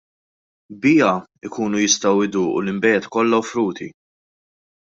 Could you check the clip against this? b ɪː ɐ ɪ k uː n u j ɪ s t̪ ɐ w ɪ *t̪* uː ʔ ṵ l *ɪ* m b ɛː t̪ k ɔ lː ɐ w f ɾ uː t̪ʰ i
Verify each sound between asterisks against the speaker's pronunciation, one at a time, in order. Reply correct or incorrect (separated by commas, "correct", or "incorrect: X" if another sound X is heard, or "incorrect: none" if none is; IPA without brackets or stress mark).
incorrect: d̪, correct